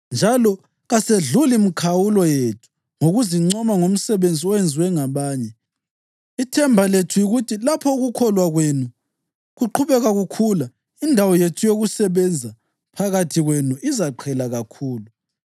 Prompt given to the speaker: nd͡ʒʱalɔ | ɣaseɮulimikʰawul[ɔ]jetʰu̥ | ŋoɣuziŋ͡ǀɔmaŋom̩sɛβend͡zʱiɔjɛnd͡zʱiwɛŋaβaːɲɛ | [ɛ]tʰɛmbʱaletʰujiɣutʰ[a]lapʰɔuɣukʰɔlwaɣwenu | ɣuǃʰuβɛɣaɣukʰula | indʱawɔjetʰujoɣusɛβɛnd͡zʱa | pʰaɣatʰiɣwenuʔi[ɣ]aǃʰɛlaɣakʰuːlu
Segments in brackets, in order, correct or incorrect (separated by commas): correct, incorrect, incorrect, incorrect